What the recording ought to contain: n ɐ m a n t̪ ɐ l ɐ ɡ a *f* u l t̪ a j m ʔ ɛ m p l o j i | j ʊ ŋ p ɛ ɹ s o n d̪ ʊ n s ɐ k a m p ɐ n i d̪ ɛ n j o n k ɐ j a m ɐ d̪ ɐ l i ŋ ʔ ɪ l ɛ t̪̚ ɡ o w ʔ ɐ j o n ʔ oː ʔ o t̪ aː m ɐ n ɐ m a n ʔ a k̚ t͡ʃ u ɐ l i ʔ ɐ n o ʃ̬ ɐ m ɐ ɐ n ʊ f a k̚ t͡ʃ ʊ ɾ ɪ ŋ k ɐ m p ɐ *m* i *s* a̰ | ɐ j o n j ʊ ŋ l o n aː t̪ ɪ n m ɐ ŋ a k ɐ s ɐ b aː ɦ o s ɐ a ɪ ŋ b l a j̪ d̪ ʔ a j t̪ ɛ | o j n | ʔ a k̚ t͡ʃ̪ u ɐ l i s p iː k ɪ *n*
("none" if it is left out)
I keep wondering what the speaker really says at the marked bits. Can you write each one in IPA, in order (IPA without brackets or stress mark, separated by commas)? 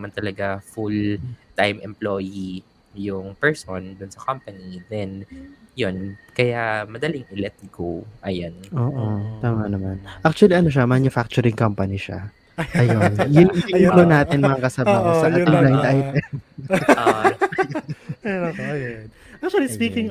f, n, ʃ, ŋ